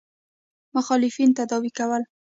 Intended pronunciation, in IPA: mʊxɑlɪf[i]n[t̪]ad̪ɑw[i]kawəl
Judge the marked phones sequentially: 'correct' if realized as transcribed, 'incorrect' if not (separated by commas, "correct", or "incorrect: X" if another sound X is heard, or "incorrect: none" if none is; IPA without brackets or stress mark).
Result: correct, correct, correct